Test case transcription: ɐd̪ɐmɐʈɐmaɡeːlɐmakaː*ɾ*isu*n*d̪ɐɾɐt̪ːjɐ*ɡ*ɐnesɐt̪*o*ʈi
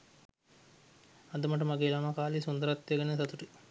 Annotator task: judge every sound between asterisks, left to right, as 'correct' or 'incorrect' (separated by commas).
incorrect, correct, correct, incorrect